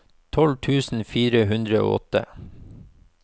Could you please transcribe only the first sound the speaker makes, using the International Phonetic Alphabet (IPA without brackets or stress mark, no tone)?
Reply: t̪ʰ